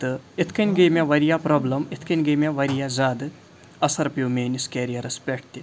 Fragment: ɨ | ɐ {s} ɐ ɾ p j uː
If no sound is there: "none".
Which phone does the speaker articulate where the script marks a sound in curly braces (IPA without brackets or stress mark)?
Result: s